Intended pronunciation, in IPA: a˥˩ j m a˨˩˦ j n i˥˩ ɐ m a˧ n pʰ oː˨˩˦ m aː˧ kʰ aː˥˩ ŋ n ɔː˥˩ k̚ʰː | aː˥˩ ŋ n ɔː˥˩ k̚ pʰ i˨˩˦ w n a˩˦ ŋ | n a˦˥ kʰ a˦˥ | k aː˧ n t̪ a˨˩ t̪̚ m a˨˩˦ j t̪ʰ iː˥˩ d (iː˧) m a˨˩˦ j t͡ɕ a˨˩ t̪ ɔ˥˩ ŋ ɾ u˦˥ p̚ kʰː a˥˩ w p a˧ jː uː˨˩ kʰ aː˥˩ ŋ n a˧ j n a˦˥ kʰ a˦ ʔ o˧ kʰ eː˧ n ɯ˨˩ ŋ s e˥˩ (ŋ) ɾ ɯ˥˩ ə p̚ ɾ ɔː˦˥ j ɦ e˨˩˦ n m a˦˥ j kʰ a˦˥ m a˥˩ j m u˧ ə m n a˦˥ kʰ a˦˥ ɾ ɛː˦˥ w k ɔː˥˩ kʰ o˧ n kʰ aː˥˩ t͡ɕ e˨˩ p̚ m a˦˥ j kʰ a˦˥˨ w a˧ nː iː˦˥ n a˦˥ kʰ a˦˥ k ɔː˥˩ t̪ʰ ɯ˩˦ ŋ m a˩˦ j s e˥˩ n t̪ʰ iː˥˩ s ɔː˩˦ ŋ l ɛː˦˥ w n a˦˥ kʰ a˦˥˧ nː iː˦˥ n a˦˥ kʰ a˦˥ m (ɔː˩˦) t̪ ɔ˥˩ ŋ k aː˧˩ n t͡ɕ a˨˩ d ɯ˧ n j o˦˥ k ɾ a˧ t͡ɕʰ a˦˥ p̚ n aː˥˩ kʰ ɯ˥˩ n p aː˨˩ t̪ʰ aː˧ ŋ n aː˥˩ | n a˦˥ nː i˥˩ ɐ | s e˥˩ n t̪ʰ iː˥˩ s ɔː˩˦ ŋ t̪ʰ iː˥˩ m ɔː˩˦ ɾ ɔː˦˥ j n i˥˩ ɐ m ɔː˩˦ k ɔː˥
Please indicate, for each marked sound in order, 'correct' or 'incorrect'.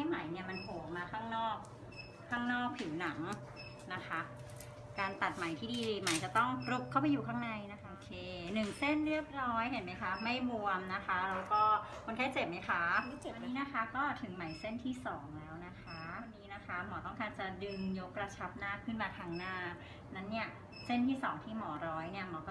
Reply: correct, incorrect, correct

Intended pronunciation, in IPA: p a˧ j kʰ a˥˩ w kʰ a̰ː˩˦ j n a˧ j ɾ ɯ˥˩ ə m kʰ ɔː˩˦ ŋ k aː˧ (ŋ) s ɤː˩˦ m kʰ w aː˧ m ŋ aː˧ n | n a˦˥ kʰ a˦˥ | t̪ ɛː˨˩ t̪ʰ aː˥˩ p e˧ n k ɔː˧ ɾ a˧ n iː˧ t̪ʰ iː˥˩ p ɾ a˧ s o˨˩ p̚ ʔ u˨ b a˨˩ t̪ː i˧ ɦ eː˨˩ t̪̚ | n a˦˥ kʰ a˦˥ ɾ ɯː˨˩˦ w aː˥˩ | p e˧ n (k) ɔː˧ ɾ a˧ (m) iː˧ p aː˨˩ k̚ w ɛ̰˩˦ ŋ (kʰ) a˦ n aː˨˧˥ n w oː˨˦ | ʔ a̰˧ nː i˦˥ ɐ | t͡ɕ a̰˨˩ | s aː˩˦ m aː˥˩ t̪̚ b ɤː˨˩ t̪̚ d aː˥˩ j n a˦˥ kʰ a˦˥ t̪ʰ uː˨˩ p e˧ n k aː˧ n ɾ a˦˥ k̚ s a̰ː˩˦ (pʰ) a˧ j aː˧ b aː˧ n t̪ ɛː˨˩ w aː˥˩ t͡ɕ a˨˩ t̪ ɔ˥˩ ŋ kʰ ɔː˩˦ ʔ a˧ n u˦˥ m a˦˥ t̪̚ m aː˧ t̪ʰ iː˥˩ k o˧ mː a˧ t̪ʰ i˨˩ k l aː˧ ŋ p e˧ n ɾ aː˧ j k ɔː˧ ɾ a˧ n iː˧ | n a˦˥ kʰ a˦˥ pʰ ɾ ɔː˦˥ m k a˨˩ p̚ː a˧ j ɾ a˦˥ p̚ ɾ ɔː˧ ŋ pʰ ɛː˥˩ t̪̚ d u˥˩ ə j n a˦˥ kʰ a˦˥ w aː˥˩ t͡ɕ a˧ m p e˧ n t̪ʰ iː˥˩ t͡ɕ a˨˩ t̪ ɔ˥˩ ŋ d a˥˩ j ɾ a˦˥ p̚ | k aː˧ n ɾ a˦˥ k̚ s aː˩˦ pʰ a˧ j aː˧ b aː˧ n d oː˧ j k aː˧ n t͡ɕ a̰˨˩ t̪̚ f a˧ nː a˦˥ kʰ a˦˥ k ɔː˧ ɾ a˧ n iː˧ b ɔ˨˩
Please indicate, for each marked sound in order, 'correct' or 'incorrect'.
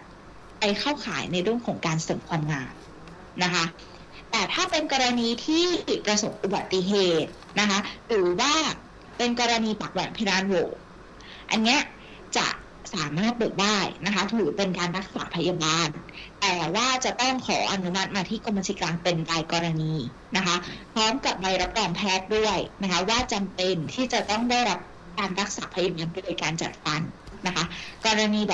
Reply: incorrect, correct, incorrect, incorrect, correct

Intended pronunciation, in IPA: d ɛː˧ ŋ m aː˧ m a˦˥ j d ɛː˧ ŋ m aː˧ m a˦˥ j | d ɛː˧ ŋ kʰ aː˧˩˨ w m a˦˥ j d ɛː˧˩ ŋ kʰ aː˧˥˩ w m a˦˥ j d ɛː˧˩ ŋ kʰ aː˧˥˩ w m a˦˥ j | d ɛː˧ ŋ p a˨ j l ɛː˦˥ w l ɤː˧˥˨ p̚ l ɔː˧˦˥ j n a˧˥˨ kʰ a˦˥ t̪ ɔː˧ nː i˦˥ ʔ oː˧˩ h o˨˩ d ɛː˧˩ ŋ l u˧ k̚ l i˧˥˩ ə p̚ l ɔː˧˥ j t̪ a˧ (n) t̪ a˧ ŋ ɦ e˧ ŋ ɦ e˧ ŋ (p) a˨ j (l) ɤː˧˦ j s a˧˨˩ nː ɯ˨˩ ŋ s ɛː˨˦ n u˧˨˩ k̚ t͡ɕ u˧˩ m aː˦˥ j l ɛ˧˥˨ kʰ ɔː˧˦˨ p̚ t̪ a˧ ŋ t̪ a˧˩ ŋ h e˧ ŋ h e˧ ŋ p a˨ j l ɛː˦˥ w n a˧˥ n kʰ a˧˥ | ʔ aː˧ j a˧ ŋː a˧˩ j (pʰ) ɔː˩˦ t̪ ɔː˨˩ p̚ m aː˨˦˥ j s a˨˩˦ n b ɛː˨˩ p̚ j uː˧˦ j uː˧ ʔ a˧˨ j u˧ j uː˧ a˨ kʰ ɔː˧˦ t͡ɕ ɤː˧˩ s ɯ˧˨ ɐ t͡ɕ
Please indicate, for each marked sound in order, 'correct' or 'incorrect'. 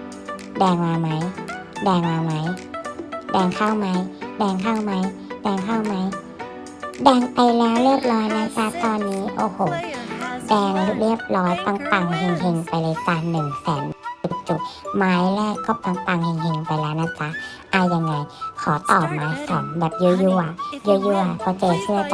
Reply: incorrect, correct, correct, incorrect

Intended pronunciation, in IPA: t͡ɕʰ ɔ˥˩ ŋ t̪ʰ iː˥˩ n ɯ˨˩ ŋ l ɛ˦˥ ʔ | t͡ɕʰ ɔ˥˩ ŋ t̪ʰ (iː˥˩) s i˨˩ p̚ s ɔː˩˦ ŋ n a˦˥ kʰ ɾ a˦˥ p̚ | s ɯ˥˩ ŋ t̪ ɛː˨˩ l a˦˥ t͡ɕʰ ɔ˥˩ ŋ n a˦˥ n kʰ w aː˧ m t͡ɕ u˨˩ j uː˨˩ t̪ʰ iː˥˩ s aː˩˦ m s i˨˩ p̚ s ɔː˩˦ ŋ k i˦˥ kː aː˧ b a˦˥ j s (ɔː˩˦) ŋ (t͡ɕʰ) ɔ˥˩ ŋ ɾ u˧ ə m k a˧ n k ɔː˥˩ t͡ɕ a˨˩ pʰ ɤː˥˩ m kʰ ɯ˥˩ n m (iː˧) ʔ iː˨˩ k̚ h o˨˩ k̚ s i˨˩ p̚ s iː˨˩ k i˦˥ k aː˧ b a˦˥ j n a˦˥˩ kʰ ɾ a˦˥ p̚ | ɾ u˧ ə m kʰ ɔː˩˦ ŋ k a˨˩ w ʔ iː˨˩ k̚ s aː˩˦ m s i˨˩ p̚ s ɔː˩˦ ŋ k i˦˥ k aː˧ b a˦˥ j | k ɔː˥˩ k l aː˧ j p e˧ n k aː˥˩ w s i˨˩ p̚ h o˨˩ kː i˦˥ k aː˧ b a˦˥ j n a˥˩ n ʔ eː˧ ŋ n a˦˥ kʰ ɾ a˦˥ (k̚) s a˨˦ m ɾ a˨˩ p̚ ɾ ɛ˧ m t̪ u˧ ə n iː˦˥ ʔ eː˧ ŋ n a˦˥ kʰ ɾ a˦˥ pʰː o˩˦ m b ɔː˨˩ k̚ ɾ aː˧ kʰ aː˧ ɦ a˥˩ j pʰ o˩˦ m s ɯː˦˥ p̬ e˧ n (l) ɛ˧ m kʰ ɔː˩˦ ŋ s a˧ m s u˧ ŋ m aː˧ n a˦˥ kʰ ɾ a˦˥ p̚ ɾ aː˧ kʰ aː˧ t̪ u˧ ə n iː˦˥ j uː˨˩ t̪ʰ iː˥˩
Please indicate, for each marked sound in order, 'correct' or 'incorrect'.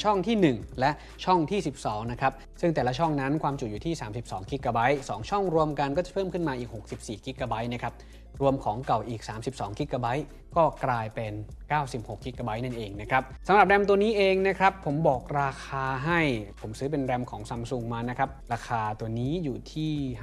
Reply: correct, correct, correct, incorrect, incorrect, incorrect

